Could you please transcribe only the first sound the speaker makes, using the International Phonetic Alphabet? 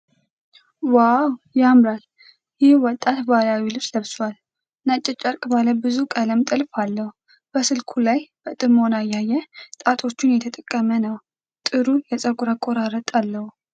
w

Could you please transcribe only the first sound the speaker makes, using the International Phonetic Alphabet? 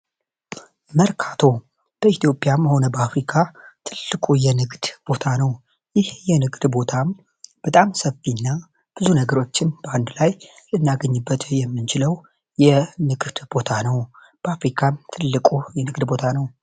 m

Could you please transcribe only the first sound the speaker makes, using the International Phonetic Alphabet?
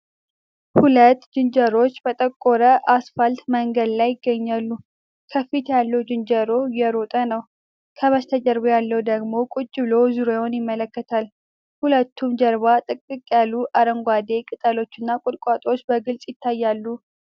h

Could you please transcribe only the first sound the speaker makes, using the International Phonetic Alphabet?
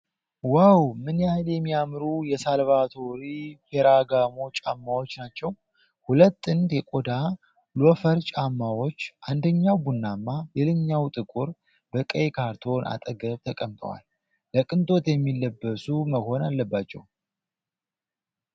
w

